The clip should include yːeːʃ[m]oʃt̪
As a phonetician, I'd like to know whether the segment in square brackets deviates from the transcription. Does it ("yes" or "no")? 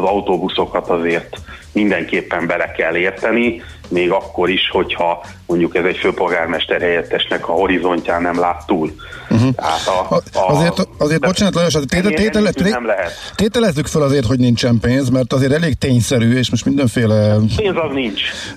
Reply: no